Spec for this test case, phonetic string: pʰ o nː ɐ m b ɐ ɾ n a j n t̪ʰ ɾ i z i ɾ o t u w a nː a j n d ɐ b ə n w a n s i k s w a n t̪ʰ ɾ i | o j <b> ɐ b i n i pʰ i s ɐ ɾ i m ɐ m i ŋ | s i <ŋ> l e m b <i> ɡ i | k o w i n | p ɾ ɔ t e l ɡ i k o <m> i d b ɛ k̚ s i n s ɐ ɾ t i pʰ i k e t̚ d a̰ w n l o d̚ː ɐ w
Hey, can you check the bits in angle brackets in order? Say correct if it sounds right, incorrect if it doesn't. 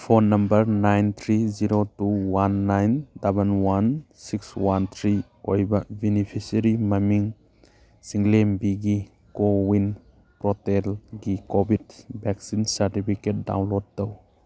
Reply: correct, correct, correct, incorrect: b

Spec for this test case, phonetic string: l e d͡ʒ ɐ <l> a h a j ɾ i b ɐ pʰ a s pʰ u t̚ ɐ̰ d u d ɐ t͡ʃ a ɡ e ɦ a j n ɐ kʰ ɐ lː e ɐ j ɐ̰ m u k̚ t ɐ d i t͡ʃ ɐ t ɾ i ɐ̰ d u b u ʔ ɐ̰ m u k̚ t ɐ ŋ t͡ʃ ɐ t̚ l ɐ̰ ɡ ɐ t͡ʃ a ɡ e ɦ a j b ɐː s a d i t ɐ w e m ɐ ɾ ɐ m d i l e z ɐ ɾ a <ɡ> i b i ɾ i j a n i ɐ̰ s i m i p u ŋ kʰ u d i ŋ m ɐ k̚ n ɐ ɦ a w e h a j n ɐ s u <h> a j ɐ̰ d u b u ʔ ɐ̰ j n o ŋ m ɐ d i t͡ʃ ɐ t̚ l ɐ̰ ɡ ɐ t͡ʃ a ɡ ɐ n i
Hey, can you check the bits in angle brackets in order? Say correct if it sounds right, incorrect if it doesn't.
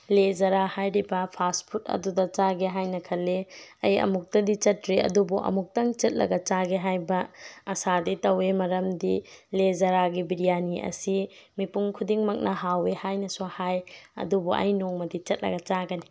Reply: incorrect: ɾ, correct, correct

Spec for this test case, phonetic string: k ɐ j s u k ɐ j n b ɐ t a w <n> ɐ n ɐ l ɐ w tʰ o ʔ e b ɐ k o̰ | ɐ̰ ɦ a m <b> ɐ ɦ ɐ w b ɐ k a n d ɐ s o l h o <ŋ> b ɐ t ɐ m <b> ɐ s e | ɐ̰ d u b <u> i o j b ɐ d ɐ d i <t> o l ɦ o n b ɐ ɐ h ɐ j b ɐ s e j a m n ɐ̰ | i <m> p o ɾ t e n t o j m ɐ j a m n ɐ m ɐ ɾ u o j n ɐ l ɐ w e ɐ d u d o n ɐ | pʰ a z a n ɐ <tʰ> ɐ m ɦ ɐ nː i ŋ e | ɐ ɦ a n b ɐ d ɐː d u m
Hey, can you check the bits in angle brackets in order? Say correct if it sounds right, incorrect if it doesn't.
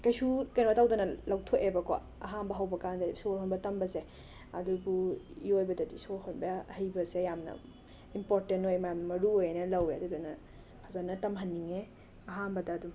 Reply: incorrect: d, correct, incorrect: n, correct, correct, incorrect: s, correct, incorrect: t

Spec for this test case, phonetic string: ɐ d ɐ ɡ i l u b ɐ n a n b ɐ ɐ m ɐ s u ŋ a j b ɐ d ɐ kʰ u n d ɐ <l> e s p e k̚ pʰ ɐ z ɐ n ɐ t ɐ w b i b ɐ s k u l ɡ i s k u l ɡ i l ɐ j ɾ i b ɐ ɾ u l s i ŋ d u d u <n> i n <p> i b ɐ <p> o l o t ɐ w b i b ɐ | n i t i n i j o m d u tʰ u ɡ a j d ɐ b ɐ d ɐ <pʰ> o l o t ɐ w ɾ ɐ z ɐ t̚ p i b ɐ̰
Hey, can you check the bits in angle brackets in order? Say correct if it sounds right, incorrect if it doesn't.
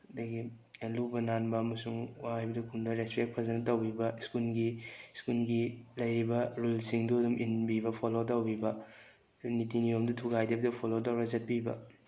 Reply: incorrect: ɾ, incorrect: m, incorrect: b, incorrect: pʰ, correct

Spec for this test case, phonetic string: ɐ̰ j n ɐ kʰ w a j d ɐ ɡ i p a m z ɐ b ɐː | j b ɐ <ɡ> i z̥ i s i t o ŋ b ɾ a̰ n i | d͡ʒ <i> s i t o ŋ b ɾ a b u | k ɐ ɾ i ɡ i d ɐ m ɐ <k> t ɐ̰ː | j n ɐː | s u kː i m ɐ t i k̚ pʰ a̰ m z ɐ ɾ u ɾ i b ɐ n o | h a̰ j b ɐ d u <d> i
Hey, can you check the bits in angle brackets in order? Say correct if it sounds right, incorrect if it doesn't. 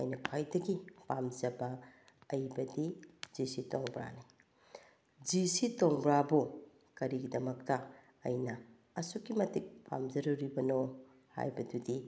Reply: incorrect: d, correct, correct, correct

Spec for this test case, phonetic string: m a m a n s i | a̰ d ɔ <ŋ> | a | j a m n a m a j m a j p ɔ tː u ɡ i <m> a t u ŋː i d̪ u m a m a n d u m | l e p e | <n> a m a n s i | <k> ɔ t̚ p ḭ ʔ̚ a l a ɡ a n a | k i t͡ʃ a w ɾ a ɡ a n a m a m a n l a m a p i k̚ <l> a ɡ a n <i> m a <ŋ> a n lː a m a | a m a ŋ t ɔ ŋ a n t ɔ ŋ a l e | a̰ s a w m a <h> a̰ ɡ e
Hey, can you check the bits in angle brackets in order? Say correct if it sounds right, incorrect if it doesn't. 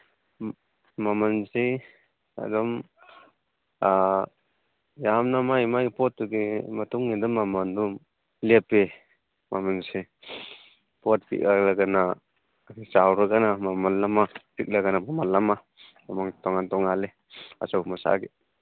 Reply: incorrect: m, correct, incorrect: m, incorrect: p, correct, incorrect: a, incorrect: m, incorrect: s

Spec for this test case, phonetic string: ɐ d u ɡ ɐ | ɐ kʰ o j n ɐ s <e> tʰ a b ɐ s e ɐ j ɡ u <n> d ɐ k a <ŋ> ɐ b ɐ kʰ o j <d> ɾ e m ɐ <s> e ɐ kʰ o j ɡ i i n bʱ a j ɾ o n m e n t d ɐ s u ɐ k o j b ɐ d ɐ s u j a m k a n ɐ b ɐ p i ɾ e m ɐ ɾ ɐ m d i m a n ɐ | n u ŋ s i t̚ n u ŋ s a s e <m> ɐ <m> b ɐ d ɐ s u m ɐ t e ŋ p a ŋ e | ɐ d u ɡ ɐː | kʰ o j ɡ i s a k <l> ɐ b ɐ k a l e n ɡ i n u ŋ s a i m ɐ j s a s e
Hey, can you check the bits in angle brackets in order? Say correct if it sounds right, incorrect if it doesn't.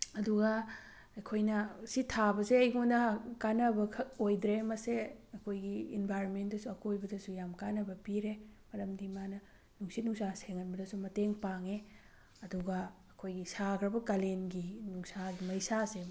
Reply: incorrect: i, correct, incorrect: n, correct, correct, incorrect: ŋ, incorrect: n, incorrect: ɾ

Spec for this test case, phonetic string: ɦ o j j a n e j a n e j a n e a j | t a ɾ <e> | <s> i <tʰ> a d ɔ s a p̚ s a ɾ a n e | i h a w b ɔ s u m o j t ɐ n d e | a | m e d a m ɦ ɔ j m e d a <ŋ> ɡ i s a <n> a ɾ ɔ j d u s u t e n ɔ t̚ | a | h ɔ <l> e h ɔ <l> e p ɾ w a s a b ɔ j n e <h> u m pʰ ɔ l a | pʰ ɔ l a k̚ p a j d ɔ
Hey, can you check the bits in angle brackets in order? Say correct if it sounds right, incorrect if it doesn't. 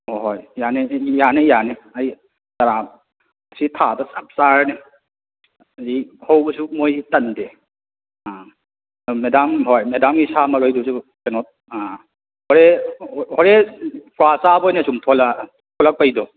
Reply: incorrect: a, correct, correct, incorrect: m, incorrect: m, incorrect: ɾ, incorrect: ɾ, incorrect: s

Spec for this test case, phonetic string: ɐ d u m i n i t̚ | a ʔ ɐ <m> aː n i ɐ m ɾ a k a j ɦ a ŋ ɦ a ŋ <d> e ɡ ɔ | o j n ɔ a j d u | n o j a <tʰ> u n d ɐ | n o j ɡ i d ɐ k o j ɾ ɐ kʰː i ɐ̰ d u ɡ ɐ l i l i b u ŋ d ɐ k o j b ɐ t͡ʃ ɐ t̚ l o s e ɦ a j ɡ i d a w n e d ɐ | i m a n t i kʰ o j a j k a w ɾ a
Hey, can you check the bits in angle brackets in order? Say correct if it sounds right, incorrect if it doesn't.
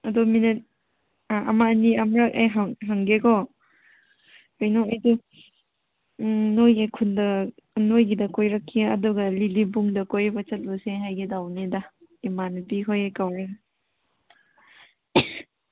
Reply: correct, incorrect: ɡ, incorrect: kʰ

